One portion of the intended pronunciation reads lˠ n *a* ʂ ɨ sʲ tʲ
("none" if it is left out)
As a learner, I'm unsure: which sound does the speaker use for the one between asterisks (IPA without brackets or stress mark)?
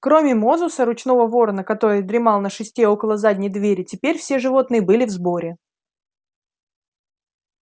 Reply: ə